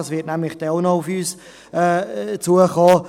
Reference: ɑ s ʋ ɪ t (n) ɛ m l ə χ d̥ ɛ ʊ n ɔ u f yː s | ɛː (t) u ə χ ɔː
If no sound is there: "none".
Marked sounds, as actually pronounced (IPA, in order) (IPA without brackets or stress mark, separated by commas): n, t͡s